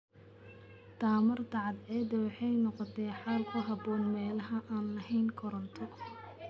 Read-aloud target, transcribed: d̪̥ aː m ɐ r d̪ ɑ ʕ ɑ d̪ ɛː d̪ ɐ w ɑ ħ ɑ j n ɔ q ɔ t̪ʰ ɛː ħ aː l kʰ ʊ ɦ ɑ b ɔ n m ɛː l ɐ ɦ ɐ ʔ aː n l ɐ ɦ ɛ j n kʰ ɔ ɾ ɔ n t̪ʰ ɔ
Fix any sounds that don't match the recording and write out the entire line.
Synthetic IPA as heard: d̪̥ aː m ɐ r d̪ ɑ ʕ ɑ d̪ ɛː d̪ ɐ w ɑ ħ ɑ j n ɔ q ɔ t̪ʰ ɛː ħ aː l kʰ ʊ ɦ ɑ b ɔː n m ɛː l ɐ ɦ ɐ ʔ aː n l ɐ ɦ ɛ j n kʰ ɔ ɾ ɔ n t̪ʰ ɔ